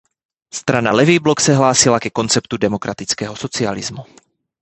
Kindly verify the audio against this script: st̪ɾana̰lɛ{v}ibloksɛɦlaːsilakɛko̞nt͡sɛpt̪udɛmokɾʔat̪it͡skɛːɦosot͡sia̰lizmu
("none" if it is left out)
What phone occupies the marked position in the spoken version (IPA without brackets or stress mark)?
v